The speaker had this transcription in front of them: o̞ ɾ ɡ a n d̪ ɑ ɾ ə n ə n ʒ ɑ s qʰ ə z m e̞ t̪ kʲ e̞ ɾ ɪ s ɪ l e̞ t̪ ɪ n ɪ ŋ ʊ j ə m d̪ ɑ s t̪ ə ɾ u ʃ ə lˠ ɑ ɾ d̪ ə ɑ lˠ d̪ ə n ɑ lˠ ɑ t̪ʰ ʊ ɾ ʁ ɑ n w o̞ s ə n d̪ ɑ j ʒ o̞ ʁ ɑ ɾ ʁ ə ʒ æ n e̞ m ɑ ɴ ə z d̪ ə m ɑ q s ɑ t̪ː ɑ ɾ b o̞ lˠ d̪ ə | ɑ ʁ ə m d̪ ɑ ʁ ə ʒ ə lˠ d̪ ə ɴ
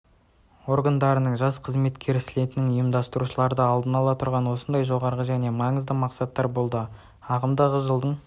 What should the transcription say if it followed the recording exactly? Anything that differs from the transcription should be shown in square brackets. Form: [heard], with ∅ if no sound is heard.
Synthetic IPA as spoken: o̞ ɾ ɡ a n d̪ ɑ ɾ ə n ə [ɴ] ʒ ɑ s qʰ ə z m e̞ t̪ kʲ e̞ ɾ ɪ s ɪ l e̞ t̪ ɪ n ɪ ŋ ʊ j ə m d̪ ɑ s t̪ ə ɾ u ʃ ə lˠ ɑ ɾ d̪ ə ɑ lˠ d̪ ə n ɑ lˠ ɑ t̪ʰ ʊ ɾ ʁ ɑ n w o̞ s ə n d̪ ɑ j ʒ o̞ ʁ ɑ ɾ ʁ ə ʒ æ n e̞ m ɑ ɴ ə z d̪ ə m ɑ q s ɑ t̪ː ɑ ɾ b o̞ lˠ d̪ ə | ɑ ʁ ə m d̪ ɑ ʁ ə ʒ ə lˠ d̪ ə ɴ